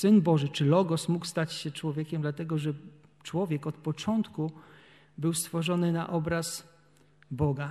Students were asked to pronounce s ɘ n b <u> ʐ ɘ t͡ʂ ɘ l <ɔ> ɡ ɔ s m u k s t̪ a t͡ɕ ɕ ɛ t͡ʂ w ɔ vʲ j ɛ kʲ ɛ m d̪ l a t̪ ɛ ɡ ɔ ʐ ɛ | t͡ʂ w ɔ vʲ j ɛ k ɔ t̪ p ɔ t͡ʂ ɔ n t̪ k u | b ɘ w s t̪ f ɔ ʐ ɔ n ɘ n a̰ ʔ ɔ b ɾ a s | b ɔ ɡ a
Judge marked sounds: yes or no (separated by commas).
no, yes